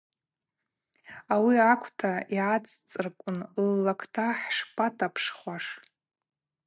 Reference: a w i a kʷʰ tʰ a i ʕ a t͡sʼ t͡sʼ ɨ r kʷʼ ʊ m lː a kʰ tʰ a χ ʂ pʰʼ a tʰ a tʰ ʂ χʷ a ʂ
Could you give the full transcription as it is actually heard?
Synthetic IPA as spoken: a w i a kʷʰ tʰ a i ʕ a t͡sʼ t͡sʼ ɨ r kʷʼ ʊ n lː a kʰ tʰ a ħ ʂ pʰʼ a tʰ a pʰ ʂ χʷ a ʂ